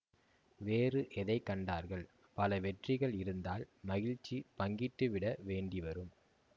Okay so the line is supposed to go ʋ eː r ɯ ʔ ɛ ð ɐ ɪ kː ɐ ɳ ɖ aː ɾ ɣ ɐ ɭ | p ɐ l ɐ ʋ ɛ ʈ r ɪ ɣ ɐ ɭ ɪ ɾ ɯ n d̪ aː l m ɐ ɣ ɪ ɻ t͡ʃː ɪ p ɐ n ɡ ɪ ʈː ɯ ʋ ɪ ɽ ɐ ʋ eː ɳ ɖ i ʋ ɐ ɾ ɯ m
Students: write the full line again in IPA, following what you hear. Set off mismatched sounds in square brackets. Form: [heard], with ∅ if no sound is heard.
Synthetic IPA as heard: ʋ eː r ɯ ʔ ɛ ð ɐ ɪ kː ɐ ɳ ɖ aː ɾ ɣ ɐ ɭ | p ɐ l ɐ ʋ ɛ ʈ r ɪ ɣ ɐ ɭ ɪ ɾ ɯ n d̪ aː l m ɐ ɣ ɪ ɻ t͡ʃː [i] p ɐ [ŋ] ɡ ɪ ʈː ɯ ʋ ɪ ɽ ɐ ʋ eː ɳ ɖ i ʋ ɐ ɾ ɯ m